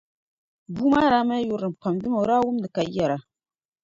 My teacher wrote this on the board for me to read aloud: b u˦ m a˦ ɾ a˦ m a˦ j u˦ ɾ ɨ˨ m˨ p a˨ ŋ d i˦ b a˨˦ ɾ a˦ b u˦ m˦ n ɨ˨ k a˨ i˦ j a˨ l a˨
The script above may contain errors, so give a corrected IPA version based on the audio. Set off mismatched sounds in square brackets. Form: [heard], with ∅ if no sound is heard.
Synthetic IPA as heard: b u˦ m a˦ ɾ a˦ m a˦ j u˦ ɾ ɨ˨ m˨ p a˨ [m] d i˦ [m] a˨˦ ɾ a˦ [w] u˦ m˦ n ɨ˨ k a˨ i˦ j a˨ [ɾ] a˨